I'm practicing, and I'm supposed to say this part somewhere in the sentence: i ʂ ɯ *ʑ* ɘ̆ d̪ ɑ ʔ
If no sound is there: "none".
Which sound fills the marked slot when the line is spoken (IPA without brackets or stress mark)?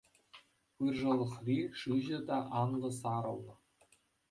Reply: ʑ